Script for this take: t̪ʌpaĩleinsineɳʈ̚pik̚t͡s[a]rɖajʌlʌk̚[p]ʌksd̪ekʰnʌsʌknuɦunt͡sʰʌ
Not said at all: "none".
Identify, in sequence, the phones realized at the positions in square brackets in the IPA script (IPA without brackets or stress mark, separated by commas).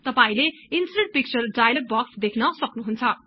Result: ʌ, b